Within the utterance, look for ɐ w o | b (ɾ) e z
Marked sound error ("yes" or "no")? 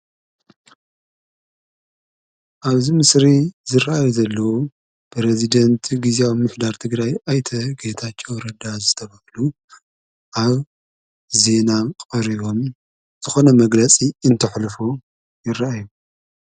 no